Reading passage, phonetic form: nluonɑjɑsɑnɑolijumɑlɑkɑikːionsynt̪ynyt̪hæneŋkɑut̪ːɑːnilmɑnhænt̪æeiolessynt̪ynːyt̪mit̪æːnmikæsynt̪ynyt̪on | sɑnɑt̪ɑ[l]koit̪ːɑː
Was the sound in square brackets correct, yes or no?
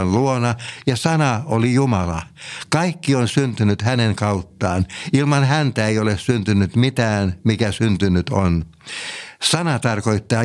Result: no